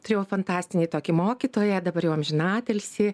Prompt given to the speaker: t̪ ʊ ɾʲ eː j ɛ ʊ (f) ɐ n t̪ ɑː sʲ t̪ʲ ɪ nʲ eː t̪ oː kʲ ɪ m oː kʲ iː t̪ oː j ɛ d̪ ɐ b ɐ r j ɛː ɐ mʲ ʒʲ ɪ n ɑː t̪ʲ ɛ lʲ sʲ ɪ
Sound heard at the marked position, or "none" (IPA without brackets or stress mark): f